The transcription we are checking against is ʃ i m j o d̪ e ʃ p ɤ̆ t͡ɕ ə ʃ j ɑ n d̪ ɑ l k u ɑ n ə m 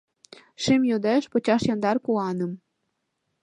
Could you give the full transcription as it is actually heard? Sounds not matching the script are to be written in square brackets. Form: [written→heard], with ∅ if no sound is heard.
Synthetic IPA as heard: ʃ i m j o d̪ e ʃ p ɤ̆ t͡ɕ [ə→ɑ] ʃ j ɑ n d̪ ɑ [l→r] k u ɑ n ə m